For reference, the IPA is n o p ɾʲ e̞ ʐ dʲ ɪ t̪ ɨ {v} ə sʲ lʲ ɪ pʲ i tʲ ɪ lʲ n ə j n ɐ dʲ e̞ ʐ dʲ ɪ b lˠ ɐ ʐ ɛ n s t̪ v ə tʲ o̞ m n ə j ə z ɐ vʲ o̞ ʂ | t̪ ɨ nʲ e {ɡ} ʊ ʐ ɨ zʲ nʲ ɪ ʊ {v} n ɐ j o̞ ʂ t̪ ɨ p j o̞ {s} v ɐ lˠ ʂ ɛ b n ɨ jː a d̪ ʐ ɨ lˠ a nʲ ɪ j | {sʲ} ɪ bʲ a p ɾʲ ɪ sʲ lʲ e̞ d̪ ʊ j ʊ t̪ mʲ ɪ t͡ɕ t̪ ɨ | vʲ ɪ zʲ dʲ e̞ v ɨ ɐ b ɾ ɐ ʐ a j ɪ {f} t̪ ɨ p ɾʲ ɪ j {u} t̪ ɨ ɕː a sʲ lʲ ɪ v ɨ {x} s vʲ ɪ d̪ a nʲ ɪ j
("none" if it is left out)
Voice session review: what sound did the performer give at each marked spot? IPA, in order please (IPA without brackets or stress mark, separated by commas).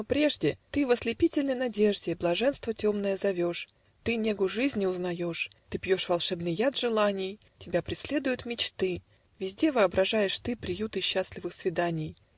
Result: v, ɡ, z, ʂ, tʲ, ʂ, u, x